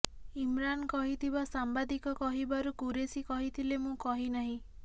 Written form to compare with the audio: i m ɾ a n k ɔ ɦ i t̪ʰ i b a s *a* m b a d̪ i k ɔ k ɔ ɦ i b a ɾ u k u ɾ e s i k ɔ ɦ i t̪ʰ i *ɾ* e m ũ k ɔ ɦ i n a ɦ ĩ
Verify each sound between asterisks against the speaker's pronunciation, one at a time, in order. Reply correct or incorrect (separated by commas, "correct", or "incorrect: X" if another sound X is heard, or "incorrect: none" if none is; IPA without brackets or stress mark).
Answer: correct, incorrect: l